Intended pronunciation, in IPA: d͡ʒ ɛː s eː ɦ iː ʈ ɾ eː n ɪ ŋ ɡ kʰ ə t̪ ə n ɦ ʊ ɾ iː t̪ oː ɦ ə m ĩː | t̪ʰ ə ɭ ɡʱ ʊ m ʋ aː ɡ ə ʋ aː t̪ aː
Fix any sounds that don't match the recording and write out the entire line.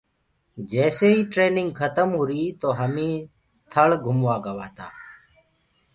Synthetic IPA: d͡ʒ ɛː s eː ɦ iː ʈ ɾ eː n ɪ ŋ ɡ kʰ ə t̪ ə m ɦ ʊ ɾ iː t̪ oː ɦ ə m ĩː | t̪ʰ ə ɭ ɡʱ ʊ m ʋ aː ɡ ə ʋ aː t̪ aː